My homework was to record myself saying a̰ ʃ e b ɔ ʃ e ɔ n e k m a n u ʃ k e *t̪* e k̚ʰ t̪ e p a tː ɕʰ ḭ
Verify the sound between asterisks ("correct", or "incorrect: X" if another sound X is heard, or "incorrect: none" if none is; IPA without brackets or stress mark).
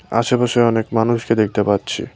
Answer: incorrect: d̪